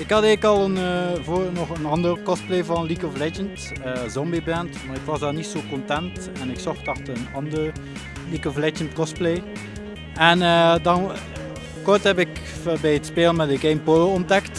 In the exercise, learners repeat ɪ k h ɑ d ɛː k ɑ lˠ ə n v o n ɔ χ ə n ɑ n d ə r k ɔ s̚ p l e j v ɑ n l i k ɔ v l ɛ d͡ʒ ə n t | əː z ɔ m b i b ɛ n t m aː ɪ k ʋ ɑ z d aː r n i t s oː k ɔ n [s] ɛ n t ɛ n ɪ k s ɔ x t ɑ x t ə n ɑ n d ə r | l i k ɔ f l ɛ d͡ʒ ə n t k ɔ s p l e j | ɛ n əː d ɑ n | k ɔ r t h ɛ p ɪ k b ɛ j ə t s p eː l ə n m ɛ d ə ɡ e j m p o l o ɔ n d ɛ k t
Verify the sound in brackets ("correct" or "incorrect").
incorrect